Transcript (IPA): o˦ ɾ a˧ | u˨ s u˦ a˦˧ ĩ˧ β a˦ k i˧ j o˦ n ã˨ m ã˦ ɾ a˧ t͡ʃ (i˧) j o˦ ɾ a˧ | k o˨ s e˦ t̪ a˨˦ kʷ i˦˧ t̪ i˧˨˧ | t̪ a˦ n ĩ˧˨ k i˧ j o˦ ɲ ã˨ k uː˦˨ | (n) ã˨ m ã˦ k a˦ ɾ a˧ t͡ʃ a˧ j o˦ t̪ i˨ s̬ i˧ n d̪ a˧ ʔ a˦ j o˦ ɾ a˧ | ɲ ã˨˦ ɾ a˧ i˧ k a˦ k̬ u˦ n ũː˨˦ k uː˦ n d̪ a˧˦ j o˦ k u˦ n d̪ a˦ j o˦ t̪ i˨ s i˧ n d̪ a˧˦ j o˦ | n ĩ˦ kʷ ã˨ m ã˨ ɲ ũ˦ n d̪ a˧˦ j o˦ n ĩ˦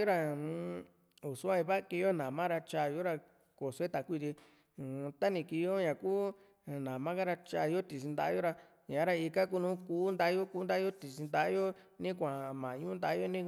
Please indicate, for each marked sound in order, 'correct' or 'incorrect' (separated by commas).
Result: incorrect, correct